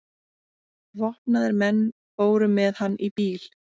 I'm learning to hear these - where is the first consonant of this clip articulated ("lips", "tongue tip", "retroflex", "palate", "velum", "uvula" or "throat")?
lips